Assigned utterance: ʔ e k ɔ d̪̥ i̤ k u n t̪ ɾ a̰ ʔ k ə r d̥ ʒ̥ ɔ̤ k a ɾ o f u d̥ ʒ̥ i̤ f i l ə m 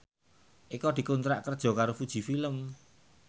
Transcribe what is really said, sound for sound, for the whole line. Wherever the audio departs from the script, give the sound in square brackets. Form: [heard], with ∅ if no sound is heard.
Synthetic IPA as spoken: ʔ [i] k ɔ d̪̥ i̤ k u n t̪ ɾ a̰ ʔ k ə r d̥ ʒ̥ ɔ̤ k a ɾ o f u d̥ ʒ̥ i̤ f i l ə m